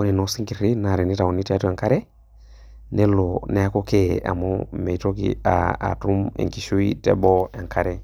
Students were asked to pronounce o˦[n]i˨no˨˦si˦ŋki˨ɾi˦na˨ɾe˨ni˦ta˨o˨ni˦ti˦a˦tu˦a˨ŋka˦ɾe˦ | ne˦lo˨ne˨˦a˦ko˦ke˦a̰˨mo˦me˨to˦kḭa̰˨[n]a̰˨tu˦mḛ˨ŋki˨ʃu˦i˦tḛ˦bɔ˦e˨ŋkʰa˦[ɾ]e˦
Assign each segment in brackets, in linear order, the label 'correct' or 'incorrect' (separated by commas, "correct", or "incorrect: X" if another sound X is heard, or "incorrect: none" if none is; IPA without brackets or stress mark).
correct, incorrect: none, correct